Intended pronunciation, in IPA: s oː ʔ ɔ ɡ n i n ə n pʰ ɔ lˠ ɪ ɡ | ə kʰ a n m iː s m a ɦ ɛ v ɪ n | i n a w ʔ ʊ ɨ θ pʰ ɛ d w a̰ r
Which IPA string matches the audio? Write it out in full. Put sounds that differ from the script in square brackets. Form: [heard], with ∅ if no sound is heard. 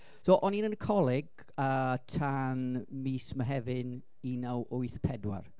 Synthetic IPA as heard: s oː ʔ ɔ [∅] n i n ə n [kʰ] ɔ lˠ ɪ ɡ | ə [tʰ] a n m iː s m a ɦ ɛ v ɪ n | i n a w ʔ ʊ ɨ θ pʰ ɛ d w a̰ r